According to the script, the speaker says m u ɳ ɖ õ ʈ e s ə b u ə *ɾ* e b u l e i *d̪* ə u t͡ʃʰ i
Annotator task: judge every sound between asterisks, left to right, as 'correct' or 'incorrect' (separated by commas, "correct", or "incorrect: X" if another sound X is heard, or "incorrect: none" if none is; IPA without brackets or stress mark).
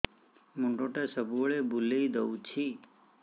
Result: incorrect: ɭ, correct